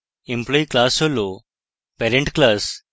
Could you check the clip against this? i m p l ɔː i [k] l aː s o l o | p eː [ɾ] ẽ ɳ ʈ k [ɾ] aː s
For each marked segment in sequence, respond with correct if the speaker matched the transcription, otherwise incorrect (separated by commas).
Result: correct, correct, incorrect